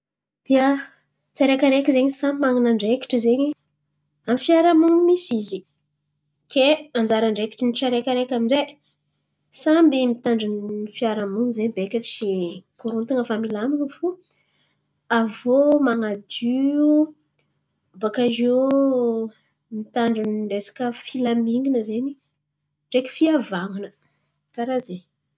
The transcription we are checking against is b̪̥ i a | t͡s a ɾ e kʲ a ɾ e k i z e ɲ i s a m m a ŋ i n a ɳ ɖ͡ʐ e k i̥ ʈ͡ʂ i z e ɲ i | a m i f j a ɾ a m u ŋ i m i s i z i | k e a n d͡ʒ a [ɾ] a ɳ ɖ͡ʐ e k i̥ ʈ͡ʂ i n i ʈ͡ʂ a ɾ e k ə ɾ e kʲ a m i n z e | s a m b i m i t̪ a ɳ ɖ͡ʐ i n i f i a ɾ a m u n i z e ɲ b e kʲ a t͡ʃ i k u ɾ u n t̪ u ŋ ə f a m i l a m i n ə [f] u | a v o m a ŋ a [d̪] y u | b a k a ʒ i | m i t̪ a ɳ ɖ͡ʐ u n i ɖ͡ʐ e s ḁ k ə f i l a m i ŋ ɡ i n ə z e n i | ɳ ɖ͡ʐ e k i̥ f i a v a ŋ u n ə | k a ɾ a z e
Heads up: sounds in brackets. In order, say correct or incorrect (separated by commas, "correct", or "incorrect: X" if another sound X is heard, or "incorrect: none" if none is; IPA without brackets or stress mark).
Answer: correct, correct, correct